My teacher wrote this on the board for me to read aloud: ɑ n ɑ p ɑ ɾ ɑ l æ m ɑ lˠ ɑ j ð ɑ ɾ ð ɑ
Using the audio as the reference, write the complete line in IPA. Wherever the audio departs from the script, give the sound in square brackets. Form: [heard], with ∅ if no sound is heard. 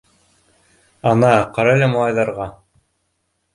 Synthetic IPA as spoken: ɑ n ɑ [q] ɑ ɾ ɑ l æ m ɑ lˠ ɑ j ð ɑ ɾ [ʁ] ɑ